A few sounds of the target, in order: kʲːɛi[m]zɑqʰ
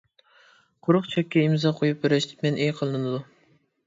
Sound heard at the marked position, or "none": m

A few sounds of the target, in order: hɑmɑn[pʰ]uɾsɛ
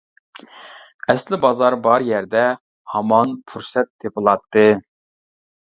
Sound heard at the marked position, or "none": pʰ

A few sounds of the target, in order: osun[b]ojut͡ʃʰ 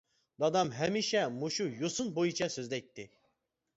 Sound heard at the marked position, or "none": b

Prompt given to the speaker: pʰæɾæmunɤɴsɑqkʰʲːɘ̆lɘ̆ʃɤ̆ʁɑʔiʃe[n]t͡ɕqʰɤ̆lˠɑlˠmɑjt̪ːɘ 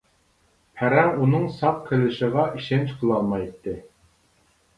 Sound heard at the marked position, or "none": n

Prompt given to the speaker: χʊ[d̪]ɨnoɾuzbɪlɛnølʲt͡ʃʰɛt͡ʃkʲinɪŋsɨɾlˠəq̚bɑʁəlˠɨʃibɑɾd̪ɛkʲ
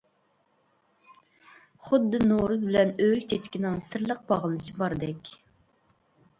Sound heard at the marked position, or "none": d̪ː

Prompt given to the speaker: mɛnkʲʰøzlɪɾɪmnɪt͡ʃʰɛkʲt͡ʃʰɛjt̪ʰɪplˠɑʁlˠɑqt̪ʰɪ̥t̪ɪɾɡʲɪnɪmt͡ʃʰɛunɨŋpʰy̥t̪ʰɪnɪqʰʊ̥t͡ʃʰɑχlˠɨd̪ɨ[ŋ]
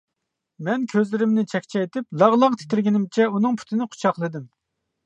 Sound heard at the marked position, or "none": m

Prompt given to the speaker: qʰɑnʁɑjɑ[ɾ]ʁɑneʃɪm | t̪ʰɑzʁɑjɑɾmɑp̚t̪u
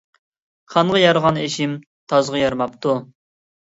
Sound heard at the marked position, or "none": ɾ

